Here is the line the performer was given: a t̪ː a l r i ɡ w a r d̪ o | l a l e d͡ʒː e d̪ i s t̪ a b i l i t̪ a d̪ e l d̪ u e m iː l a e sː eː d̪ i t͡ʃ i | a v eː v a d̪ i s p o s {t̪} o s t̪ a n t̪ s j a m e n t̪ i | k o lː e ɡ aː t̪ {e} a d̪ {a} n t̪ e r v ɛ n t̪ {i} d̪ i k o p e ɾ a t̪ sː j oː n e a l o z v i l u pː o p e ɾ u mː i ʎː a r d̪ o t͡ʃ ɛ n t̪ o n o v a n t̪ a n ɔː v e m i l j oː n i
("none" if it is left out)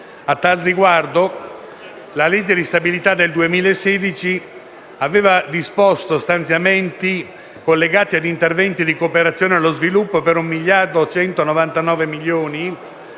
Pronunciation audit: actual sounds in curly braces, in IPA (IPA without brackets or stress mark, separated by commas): t̪, i, i, i